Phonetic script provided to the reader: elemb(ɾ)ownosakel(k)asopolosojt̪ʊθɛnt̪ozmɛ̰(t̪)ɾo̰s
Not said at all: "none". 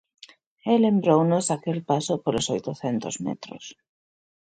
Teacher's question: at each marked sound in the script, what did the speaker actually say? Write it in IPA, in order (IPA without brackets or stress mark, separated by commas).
ɾ, p, t̪